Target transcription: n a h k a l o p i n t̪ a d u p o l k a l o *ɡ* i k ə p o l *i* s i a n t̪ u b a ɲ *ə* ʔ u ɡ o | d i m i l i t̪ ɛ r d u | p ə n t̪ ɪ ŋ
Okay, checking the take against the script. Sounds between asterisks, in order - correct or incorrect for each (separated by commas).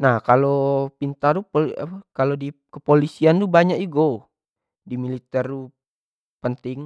incorrect, correct, incorrect